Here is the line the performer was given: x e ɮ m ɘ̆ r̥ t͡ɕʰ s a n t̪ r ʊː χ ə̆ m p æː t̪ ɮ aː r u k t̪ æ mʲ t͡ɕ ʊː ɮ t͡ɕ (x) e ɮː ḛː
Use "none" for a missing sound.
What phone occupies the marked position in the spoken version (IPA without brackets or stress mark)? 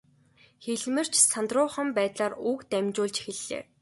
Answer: x